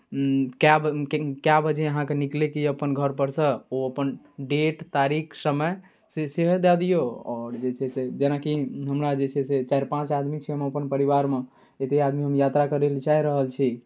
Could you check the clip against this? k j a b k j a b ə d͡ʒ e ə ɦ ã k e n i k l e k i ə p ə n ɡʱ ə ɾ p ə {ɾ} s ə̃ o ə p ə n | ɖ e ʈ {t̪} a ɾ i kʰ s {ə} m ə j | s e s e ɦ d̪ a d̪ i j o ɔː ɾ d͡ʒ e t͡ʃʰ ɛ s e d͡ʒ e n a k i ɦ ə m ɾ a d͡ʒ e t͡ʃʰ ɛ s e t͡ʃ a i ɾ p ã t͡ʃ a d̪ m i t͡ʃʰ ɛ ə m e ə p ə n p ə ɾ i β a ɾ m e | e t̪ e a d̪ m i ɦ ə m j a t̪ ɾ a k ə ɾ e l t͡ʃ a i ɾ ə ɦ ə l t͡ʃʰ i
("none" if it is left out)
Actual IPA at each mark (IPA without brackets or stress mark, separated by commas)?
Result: ɾ, t̪, ə